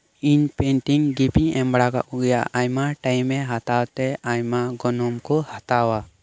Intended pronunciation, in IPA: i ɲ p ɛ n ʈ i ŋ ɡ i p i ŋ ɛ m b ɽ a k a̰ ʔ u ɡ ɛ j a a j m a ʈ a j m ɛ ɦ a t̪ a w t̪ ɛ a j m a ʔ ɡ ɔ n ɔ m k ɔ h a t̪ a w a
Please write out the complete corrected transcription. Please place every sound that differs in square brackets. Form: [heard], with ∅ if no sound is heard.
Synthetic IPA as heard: i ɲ p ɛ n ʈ i ŋ ɡ i p i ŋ ɛ m b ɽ a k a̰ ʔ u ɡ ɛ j a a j m a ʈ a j m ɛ ɦ a t̪ a w t̪ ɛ a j m a [∅] ɡ ɔ n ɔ m k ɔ h a t̪ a w a